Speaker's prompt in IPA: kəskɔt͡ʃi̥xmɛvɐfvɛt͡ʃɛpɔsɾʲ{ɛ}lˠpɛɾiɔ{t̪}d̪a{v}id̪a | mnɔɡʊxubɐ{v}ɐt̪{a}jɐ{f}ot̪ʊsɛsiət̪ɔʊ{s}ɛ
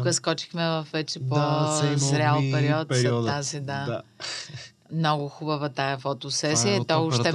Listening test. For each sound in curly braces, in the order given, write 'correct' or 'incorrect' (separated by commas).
incorrect, correct, incorrect, correct, correct, correct, incorrect